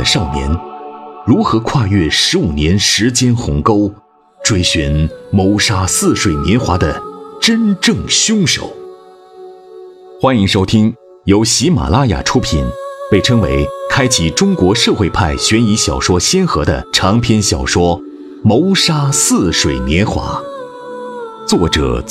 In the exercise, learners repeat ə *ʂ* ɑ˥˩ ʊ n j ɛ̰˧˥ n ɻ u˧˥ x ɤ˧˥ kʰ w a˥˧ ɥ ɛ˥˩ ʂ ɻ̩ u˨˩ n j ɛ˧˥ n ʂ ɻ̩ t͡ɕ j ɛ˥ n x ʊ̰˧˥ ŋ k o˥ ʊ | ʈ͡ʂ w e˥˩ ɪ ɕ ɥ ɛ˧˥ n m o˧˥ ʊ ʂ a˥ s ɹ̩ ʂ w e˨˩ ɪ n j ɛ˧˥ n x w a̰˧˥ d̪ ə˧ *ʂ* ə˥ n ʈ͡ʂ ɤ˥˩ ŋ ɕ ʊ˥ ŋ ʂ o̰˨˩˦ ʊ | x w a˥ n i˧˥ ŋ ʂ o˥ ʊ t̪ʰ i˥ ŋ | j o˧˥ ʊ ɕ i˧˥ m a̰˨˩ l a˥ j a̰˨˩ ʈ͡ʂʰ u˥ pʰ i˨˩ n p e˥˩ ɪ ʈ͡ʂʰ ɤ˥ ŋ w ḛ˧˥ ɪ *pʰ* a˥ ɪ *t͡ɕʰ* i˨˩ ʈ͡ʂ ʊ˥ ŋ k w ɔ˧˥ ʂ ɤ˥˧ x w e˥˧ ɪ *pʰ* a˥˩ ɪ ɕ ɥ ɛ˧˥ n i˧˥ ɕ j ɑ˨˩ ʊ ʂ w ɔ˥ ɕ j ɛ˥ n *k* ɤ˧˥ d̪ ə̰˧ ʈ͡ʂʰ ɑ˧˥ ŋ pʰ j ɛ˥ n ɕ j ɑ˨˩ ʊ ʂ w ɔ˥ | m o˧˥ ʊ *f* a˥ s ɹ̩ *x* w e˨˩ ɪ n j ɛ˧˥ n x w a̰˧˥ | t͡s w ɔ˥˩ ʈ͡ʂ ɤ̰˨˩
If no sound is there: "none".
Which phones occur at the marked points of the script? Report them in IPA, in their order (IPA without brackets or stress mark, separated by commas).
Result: ʂ, ʈ͡ʂ, kʰ, t͡ɕʰ, pʰ, x, ʂ, ʂ